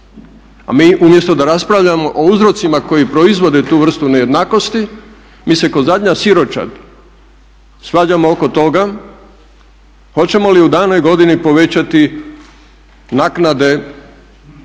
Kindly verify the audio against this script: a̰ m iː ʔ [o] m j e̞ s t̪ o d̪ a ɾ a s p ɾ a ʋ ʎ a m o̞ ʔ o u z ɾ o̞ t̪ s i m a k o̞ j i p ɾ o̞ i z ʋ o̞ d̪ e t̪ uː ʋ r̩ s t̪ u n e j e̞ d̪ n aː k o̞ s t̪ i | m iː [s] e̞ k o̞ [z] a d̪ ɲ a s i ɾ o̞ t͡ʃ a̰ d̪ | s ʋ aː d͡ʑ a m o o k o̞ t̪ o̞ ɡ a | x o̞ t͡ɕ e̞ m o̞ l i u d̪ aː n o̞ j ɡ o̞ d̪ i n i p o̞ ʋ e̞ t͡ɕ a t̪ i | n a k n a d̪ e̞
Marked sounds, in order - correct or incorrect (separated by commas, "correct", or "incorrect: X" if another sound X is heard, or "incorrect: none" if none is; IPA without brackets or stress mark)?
incorrect: u, correct, correct